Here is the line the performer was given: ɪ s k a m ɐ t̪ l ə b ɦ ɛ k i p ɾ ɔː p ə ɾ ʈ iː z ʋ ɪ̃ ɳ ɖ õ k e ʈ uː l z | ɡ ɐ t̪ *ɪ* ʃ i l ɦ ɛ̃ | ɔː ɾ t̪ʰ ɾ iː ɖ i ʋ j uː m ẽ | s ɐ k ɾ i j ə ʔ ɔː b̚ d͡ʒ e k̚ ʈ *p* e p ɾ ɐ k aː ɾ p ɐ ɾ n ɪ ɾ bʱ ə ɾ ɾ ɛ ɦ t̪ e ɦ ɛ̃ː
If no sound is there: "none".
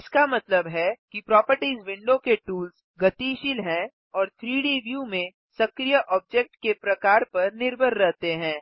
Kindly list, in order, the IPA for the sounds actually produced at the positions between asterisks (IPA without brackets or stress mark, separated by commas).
i, k